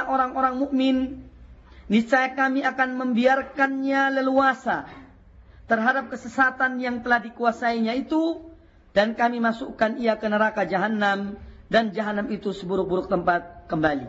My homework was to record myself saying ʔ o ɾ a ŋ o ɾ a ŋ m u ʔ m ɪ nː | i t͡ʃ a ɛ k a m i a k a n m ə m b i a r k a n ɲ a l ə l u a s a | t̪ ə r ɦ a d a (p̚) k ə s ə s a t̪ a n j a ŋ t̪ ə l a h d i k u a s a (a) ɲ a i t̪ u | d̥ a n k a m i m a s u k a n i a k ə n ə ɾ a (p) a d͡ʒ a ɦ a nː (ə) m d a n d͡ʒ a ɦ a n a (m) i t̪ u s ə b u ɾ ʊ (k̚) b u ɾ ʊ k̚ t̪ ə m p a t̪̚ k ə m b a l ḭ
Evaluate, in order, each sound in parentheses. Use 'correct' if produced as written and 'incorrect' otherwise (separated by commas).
correct, incorrect, incorrect, incorrect, correct, correct